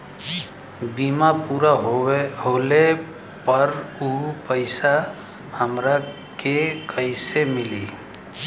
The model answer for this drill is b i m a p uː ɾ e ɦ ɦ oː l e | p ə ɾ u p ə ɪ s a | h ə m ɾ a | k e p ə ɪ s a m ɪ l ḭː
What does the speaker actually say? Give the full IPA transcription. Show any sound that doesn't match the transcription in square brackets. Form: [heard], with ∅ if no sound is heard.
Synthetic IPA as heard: b i m a p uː ɾ [a] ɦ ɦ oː l e | p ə ɾ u p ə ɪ s a | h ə m ɾ a | k e [k] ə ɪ s [e] m ɪ l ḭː